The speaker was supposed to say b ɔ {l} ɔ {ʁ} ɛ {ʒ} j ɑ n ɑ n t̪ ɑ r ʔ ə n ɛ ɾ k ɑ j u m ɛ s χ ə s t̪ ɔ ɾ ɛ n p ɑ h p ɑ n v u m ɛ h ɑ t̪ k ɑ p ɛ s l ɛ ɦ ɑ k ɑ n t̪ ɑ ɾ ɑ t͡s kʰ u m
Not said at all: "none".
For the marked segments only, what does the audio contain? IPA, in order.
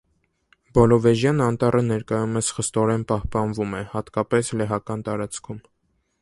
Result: l, v, ʒ

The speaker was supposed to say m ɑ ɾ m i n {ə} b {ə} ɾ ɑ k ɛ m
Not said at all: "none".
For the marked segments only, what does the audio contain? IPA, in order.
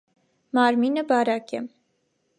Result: ə, ɑ

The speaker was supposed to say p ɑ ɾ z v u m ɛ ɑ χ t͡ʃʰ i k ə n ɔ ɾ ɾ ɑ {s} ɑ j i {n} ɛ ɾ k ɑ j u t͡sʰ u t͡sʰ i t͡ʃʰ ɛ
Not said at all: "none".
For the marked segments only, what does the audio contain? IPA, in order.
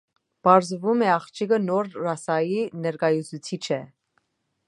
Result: s, n

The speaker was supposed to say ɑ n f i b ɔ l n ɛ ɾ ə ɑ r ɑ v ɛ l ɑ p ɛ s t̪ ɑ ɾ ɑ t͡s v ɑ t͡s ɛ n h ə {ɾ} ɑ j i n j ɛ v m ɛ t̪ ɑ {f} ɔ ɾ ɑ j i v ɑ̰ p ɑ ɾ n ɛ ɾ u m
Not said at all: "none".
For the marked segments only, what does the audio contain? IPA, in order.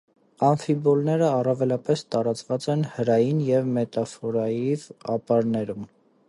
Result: ɾ, f

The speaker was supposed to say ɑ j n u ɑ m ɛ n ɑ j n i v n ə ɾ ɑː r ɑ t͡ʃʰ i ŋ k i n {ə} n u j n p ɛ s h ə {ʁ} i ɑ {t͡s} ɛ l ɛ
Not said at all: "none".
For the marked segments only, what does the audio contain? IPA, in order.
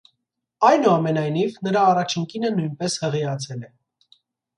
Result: ə, ʁ, t͡sʰ

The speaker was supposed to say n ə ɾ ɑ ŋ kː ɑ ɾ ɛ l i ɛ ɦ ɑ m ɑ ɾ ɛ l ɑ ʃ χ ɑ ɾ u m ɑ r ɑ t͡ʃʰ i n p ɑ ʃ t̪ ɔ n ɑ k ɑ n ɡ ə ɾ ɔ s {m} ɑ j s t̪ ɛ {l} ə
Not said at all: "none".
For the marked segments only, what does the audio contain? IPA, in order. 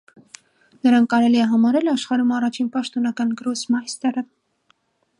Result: m, ɾ

